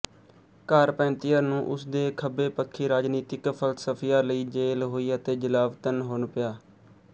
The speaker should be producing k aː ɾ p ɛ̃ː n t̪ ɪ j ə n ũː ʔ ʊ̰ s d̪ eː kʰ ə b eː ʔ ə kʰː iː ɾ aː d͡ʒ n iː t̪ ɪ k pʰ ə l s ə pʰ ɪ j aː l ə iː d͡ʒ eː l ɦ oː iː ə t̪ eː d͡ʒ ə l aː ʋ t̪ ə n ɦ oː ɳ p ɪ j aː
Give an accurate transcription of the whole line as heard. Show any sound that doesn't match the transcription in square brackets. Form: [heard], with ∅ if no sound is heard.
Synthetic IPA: k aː ɾ p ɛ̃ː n t̪ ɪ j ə n ũː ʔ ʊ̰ s d̪ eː kʰ ə b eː [p] ə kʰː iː ɾ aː d͡ʒ n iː t̪ ɪ k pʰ ə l s ə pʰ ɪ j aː l ə iː d͡ʒ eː l ɦ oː iː ə t̪ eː d͡ʒ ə l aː ʋ t̪ ə n ɦ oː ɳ p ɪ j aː